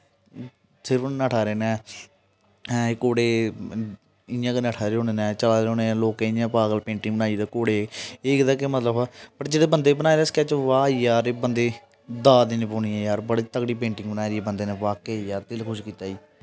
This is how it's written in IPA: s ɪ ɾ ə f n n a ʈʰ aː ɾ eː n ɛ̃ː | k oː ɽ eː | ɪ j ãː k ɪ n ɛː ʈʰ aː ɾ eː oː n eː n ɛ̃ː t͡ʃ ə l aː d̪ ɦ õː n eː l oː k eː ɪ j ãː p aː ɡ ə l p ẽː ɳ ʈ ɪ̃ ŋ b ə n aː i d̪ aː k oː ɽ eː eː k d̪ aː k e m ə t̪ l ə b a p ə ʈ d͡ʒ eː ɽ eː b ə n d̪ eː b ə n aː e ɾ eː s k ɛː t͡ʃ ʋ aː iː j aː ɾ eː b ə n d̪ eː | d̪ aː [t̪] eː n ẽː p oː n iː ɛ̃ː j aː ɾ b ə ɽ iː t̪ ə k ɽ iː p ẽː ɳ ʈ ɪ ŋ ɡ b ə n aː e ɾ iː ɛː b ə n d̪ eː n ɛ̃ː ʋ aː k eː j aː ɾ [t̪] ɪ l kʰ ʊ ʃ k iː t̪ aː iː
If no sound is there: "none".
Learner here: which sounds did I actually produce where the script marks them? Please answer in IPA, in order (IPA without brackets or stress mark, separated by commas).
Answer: d̪, t̪